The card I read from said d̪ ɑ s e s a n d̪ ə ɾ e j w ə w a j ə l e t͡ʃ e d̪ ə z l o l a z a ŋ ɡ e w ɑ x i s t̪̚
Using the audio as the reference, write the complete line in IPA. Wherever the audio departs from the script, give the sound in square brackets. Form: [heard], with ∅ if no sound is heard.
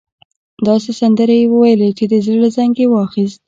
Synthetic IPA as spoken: d̪ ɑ s e s a n d̪ ə ɾ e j w ə w a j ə l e t͡ʃ e d̪ ə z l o l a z a ŋ ɡ e w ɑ x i s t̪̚